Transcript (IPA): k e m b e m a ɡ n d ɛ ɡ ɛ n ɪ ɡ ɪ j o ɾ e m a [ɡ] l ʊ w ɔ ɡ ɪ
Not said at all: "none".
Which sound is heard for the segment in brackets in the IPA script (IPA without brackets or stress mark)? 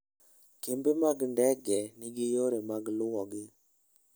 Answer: ɡ